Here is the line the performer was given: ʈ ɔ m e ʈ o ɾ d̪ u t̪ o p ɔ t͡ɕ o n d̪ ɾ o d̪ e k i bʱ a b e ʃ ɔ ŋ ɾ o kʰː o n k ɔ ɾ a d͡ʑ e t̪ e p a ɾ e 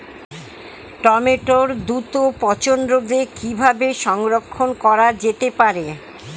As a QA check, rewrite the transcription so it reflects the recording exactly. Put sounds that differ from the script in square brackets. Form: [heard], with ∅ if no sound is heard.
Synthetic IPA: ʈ ɔ m e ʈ o ɾ d̪ u t̪ o p ɔ t͡ɕ o n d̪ ɾ o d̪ e k i bʱ a b e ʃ ɔ ŋ ɾ o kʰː o n k ɔ ɾ a d͡ʑ e t̪ e p a ɾ e